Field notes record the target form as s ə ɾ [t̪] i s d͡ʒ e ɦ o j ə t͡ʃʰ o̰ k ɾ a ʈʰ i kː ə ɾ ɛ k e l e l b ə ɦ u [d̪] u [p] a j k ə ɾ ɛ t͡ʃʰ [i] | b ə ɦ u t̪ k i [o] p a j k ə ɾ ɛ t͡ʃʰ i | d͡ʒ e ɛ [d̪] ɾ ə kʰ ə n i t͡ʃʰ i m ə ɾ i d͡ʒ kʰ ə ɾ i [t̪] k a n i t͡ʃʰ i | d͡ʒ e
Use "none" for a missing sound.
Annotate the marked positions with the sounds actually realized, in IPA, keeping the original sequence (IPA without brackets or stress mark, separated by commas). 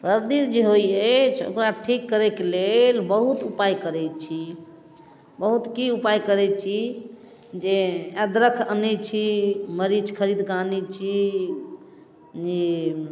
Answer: d̪, t̪, p, i, u, d̪, d̪